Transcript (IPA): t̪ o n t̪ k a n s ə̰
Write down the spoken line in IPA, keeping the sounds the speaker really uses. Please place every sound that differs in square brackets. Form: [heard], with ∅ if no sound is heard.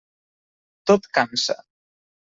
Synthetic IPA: t̪ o [∅] t̪ k a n s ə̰